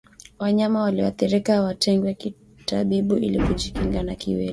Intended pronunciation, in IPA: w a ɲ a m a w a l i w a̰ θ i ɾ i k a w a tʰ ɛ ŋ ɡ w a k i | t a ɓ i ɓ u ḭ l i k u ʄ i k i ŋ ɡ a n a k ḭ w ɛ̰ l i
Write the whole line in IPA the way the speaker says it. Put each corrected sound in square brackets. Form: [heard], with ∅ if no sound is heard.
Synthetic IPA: w a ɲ a m a w a l i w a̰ θ i ɾ i k a w a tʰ ɛ ŋ ɡ w [ɛ] k i | t a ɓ i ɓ u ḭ l i k u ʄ i k i ŋ ɡ a n a k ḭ w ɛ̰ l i